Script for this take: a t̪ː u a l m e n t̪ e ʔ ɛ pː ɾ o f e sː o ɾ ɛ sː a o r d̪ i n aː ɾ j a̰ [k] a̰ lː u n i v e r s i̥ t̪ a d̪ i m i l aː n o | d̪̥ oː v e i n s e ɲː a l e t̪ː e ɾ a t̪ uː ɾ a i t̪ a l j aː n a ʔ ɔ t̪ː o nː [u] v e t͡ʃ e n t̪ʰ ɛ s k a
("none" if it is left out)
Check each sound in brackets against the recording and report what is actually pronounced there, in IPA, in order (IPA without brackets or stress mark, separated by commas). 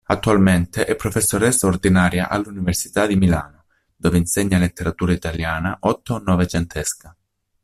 ʔ, ɔ